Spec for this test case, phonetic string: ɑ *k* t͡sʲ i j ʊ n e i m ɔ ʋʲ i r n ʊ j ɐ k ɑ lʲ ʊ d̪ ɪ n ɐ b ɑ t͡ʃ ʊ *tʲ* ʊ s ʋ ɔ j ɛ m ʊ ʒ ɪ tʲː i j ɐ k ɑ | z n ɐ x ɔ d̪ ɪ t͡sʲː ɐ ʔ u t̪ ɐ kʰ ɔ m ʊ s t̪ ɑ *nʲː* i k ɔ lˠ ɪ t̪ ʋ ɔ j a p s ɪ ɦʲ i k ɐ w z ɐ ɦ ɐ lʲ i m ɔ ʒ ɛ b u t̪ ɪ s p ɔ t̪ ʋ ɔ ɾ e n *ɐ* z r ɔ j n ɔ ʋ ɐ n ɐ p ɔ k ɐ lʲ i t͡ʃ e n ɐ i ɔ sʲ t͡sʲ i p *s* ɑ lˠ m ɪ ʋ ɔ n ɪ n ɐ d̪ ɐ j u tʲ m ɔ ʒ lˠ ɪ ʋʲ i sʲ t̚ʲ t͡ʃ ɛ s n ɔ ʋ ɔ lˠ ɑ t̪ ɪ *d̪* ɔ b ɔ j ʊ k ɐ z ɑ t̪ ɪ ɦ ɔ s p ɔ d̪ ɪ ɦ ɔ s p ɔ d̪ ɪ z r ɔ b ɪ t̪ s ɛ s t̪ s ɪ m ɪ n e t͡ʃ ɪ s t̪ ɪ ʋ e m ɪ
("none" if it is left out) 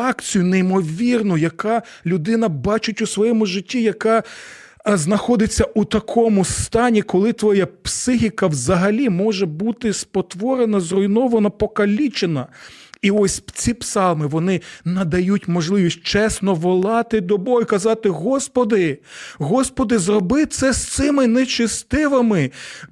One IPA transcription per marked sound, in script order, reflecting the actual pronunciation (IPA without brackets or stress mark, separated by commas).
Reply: k, tʲ, nʲ, ɐ, s, d̪